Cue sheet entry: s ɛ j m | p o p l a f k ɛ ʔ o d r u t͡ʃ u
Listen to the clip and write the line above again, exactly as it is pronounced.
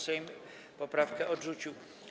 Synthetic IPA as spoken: s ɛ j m | p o p ɾ a f k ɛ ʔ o d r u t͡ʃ u

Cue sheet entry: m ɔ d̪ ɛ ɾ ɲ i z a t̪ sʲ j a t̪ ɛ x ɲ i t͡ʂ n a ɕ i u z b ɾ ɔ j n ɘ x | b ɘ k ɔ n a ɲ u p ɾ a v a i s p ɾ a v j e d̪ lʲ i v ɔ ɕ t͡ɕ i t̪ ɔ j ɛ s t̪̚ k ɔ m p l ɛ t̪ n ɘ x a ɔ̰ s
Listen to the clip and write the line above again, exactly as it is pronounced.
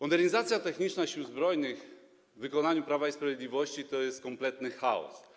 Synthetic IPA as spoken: m ɔ d̪ ɛ ɾ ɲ i z a t̪ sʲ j a t̪ ɛ x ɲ i t͡ʂ n a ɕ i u z b ɾ ɔ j n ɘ x | v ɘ k ɔ n a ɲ u p ɾ a v a i s p ɾ a v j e d̪ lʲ i v ɔ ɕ t͡ɕ i t̪ ɔ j ɛ s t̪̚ k ɔ m p l ɛ t̪ n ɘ x a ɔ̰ s

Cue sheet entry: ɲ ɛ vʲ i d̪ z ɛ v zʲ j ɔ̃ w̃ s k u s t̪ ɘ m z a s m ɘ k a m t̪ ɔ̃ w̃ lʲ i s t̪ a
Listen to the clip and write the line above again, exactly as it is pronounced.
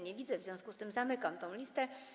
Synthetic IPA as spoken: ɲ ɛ vʲ i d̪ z ɛ v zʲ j ɔ̃ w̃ s k u s t̪ ɘ m z a m ɘ k a m t̪ ɔ̃ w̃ lʲ i s t̪ ɛ

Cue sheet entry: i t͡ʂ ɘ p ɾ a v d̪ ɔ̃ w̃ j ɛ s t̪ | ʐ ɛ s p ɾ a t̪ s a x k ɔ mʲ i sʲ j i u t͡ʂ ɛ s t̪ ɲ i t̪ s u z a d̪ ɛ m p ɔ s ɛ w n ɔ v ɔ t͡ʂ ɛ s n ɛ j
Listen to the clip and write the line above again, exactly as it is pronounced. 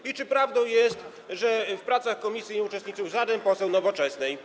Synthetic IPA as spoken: i t͡ʂ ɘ p ɾ a v d̪ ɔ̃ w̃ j ɛ s t̪ | ʐ ɛ f p ɾ a t̪ s a x k ɔ mʲ i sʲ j i u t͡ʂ ɛ s t̪ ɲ i t̪ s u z a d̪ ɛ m p ɔ s ɛ w n ɔ v ɔ t͡ʂ ɛ s n ɛ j

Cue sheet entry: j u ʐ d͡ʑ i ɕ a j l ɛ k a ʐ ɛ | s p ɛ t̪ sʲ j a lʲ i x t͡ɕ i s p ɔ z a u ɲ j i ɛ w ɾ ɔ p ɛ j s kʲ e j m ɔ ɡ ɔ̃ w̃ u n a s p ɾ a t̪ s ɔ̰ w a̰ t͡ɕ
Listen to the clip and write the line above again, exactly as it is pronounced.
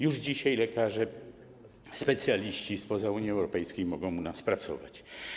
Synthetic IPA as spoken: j u ʐ d͡ʑ i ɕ a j l ɛ k a ʐ ɛ | s p ɛ t̪ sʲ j a lʲ i ɕ t͡ɕ i s p ɔ z a u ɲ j i ɛ w ɾ ɔ p ɛ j s kʲ e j m ɔ ɡ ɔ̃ w̃ u n a s p ɾ a t̪ s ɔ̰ v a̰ t͡ɕ

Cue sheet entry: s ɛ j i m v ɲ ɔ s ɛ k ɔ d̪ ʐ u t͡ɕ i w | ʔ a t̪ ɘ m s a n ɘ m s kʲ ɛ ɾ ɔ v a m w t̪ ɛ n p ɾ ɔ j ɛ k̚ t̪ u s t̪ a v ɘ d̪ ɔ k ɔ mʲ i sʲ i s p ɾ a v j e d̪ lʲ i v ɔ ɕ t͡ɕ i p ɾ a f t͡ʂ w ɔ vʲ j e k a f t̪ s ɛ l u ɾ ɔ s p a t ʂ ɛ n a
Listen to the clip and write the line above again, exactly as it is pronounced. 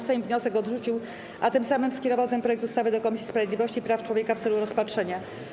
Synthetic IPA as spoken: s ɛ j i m v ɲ ɔ s ɛ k ɔ d̪ ʐ u t͡ɕ i w | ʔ a t̪ ɘ m s a m ɘ m s kʲ ɛ ɾ ɔ v a w t̪ ɛ n p ɾ ɔ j ɛ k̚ t̪ u s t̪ a v ɘ d̪ ɔ k ɔ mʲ i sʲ i s p ɾ a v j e d̪ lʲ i v ɔ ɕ t͡ɕ i p ɾ a f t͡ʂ w ɔ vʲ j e k a f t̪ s ɛ l u ɾ ɔ s p a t ʂ ɛ ɲ a

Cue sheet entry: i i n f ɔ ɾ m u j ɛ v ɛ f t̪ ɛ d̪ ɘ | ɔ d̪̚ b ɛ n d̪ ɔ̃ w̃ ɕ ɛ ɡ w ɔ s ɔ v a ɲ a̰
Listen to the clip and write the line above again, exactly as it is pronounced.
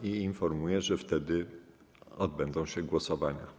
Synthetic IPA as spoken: i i n f ɔ ɾ m u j ɛ ʐ ɛ f t̪ ɛ d̪ ɘ | ɔ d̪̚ b ɛ n d̪ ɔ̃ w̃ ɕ ɛ ɡ w ɔ s ɔ v a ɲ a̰

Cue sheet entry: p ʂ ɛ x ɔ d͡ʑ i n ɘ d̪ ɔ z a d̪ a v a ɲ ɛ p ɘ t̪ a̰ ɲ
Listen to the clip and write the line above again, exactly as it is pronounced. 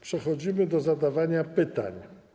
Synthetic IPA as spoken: p ʂ ɛ x ɔ d͡ʑ i m ɘ d̪ ɔ z a d̪ a v a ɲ a p ɘ t̪ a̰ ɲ

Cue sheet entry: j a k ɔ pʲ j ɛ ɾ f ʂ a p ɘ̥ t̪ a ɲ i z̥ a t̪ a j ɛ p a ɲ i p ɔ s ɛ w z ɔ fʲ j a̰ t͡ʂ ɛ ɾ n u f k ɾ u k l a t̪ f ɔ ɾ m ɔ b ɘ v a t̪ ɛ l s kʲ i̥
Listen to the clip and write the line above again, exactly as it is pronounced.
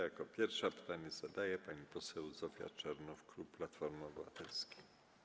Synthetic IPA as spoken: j a k ɔ pʲ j ɛ ɾ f ʂ a p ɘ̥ t̪ a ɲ ɛ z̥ a d̪ a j ɛ p a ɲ i p ɔ s ɛ w z ɔ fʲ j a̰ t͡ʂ ɛ ɾ n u f k ɾ u p l a t̪ f ɔ ɾ m ɔ b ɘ v a t̪ ɛ l s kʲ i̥

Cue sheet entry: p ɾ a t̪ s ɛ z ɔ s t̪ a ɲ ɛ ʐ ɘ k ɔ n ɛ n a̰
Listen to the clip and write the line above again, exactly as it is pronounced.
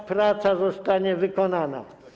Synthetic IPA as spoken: p ɾ a t̪ s a z ɔ s t̪ a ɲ ɛ v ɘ k ɔ n a n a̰

